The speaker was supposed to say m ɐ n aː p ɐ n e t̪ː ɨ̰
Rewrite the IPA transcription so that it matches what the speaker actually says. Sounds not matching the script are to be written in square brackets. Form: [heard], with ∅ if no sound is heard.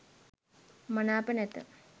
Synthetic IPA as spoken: m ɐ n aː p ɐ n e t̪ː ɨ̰